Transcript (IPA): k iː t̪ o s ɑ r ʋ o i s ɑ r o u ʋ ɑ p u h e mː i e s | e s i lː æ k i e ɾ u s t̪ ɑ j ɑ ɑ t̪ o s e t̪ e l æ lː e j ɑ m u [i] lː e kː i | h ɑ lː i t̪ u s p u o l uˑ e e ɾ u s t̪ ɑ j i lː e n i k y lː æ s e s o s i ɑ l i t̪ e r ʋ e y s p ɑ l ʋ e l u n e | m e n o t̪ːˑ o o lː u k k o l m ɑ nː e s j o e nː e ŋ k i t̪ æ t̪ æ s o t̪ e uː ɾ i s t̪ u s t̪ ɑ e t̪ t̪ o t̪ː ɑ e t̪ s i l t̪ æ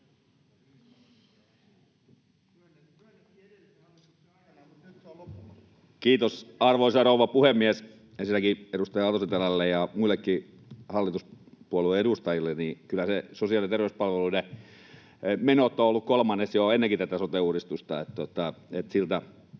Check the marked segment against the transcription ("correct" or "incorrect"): correct